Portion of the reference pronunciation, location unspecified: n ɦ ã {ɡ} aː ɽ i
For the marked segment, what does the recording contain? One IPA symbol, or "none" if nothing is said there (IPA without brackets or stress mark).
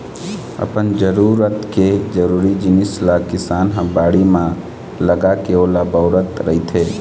b